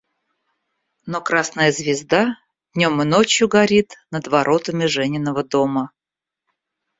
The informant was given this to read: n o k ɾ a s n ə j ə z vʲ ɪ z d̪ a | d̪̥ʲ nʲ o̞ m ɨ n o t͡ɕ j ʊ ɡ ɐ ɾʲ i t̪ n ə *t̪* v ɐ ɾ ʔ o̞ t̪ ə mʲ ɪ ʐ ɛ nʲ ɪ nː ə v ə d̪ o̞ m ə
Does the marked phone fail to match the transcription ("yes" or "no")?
yes